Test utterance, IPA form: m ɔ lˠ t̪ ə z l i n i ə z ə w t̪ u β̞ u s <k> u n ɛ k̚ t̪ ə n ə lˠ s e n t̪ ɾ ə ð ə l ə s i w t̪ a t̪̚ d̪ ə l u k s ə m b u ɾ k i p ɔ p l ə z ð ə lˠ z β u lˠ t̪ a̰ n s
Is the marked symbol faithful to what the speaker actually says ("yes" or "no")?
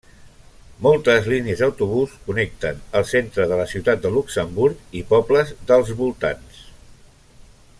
yes